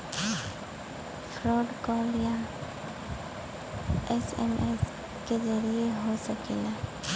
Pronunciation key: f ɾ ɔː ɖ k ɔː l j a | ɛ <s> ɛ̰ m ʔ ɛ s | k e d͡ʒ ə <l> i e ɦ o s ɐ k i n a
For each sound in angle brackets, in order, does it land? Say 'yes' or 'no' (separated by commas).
yes, no